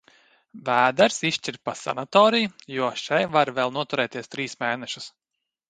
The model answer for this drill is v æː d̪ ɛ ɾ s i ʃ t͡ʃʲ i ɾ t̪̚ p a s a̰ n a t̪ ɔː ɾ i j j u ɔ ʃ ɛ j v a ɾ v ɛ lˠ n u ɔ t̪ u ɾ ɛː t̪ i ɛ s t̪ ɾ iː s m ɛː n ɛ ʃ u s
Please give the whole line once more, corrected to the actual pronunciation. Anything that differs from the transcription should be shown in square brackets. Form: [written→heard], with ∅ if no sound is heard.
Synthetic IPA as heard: v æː d̪ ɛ ɾ s i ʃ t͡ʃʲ i ɾ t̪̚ p a s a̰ n a t̪ ɔː ɾ i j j u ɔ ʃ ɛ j v a ɾ v ɛ lˠ n u ɔ t̪ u ɾ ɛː t̪ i ɛ s t̪ ɾ iː s m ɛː n ɛ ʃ u s